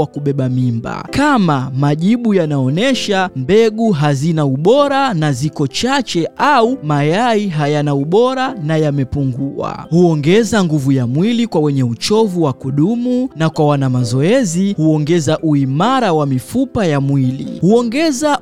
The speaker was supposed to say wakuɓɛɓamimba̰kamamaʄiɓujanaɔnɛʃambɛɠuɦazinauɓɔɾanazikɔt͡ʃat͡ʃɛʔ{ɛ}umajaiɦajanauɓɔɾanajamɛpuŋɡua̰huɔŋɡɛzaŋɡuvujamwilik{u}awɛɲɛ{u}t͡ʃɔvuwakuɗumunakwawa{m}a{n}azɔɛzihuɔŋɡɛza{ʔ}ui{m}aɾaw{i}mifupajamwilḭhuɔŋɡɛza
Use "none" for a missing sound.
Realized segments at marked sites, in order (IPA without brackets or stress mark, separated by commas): a, w, u, n, m, ʔ, m, a